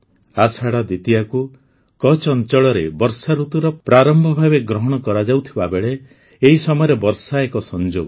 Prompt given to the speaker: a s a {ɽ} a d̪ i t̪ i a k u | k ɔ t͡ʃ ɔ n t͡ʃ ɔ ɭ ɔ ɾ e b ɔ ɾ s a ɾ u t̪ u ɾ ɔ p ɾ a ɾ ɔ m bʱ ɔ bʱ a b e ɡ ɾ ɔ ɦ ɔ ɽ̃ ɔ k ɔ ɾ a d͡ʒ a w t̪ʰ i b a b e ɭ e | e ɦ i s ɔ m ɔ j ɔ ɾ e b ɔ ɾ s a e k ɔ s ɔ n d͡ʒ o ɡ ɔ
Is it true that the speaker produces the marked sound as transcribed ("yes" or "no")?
yes